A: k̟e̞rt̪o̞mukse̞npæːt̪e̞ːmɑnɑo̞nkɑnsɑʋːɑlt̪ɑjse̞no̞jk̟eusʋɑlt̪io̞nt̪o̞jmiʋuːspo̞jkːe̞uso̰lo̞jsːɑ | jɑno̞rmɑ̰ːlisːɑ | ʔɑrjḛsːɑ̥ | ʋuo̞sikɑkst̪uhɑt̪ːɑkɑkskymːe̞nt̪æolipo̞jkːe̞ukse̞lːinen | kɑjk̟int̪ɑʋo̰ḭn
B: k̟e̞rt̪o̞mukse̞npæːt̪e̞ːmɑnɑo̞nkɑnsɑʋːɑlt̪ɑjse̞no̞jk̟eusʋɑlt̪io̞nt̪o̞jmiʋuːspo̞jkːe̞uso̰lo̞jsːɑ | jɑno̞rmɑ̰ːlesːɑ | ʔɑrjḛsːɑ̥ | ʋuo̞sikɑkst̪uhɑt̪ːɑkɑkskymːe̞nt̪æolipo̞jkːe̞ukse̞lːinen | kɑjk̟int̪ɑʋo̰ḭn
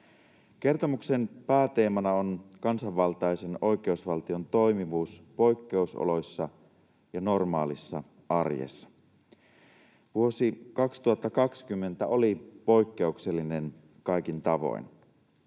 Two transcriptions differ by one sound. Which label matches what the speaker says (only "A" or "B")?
A